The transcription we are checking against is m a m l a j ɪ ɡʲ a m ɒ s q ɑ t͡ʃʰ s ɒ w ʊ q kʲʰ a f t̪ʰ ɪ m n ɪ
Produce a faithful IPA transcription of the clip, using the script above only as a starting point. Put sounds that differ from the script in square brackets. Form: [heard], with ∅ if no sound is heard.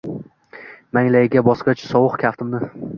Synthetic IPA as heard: m a [ŋ] l a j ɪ ɡʲ a [b] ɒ s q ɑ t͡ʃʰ s ɒ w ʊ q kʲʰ a f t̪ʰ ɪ m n ɪ